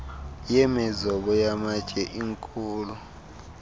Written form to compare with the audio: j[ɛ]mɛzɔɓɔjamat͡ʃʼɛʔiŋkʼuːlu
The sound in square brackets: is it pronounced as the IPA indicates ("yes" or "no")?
yes